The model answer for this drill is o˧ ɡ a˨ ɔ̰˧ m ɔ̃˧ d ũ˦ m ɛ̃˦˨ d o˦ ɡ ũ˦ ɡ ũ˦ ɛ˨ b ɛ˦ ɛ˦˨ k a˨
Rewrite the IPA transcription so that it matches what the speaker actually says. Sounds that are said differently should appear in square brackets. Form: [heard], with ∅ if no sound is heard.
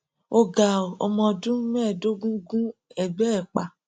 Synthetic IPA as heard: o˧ ɡ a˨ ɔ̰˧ m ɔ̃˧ d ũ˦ m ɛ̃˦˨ d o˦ ɡ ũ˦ ɡ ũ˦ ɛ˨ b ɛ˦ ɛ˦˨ [k͡p] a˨

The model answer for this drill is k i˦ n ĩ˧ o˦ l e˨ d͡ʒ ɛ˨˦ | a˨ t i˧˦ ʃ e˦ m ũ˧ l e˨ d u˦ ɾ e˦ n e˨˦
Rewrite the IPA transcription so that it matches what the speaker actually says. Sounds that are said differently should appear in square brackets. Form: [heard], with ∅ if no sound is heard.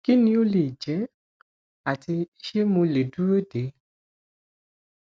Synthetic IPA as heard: k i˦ n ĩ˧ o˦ l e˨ d͡ʒ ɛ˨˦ | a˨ t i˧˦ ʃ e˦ m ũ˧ l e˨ d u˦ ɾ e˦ [d] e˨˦

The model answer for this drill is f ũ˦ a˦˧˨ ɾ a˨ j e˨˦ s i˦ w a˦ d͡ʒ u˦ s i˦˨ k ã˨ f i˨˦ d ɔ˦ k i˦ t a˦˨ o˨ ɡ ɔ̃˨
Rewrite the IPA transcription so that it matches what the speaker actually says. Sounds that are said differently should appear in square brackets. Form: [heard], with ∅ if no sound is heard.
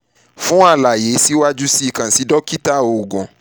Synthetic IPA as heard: f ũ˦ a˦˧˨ [l] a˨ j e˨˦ s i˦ w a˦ d͡ʒ u˦ s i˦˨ k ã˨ [s] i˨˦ d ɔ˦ k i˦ t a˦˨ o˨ ɡ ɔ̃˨

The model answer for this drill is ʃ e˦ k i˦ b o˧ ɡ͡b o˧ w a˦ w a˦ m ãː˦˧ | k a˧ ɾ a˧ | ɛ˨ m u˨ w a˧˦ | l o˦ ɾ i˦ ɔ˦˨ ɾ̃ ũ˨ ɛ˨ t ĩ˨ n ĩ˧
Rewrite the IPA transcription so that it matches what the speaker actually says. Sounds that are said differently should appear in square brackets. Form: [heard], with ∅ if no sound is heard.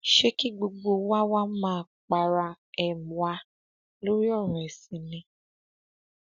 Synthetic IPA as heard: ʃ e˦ k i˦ [ɡ͡b] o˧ ɡ͡b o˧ w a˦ w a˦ m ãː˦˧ | [k͡p] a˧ ɾ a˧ | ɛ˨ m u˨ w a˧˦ | l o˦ ɾ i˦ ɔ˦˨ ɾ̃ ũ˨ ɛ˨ [s] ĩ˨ n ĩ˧

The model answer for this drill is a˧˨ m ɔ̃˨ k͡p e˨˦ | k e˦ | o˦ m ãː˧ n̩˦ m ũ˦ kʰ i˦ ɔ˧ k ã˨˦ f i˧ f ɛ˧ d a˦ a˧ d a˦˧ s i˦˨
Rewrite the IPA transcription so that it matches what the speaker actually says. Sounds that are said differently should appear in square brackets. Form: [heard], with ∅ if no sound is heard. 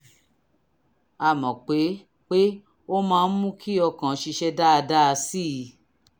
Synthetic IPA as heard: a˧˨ m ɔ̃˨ k͡p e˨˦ | [k͡p] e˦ | o˦ m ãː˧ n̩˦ m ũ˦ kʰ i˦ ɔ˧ k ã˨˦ [ʃ] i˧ [ʃ] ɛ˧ d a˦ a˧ d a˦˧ s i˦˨

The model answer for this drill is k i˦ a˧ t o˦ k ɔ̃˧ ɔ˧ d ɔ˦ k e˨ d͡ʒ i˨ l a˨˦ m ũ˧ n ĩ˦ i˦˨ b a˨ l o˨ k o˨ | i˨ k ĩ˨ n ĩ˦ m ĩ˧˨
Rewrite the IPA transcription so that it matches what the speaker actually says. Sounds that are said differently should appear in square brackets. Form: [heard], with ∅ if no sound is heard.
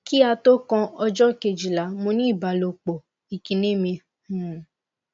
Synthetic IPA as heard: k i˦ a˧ t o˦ k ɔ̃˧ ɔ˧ [d͡ʒ] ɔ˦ k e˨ d͡ʒ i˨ l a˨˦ m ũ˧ n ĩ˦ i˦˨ b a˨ l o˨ [k͡p] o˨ | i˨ k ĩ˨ n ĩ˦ m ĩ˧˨

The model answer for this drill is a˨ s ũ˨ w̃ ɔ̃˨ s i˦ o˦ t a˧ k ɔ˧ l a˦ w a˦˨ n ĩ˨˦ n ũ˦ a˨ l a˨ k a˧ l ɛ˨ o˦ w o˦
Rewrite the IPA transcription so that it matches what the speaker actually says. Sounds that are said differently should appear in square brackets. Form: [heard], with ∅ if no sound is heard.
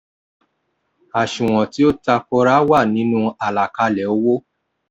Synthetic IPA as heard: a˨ [ʃ] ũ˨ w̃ ɔ̃˨ [t] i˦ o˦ t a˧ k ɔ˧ [ɾ] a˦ w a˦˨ n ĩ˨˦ n ũ˦ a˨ l a˨ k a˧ l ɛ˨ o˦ w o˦

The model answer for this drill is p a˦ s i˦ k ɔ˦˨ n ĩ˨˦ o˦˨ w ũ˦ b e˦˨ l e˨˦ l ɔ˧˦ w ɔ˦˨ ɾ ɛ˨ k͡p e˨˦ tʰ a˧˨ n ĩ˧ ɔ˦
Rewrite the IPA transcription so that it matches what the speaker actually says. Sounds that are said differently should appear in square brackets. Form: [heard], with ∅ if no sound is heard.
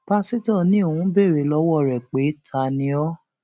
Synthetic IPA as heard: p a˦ s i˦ [t] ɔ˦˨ n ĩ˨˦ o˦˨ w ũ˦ b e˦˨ [ɾ] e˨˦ l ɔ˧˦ w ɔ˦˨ ɾ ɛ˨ k͡p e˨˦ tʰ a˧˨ n ĩ˧ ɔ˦

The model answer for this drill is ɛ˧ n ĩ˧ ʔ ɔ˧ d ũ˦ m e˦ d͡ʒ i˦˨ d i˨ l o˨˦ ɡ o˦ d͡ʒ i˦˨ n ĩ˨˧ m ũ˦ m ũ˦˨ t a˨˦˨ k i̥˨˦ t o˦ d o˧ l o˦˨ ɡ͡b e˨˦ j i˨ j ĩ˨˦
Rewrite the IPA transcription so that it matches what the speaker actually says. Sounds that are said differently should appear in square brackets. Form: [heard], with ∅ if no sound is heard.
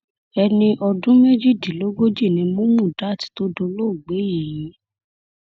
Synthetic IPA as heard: ɛ˧ n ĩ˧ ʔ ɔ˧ d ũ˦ m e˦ d͡ʒ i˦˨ d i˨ l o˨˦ ɡ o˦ d͡ʒ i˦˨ n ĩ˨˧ m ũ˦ m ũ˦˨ [d] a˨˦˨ [t] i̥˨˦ t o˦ d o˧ l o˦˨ ɡ͡b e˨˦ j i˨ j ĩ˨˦

